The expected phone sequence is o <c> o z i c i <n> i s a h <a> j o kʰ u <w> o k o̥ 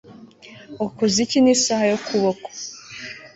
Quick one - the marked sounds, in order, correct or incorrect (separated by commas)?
incorrect, correct, correct, incorrect